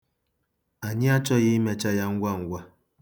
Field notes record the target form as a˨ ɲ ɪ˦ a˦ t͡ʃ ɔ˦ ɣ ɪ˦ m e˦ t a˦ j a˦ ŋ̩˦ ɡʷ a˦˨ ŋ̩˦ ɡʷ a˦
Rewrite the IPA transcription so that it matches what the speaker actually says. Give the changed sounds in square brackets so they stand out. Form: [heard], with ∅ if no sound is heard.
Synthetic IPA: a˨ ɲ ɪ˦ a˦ t͡ʃ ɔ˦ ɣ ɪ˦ m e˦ [t͡ʃ] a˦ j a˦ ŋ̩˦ ɡʷ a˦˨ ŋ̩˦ ɡʷ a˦